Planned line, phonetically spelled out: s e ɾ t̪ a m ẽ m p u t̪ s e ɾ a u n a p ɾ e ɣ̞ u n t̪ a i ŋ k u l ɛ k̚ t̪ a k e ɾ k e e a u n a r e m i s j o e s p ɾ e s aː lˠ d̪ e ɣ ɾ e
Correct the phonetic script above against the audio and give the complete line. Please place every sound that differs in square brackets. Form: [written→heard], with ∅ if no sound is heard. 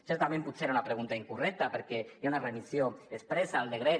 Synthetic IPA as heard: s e ɾ t̪ a m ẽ m p u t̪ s e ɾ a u n a p ɾ e ɣ̞ u n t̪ a i ŋ k u [l→r] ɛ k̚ t̪ a [k→p] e ɾ k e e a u n a r e m i s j o e s p ɾ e s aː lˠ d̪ e ɣ ɾ e